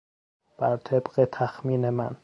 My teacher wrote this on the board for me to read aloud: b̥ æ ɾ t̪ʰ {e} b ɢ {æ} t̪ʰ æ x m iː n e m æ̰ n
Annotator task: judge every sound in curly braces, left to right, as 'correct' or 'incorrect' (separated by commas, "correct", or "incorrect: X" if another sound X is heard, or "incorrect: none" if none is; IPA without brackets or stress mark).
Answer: correct, incorrect: e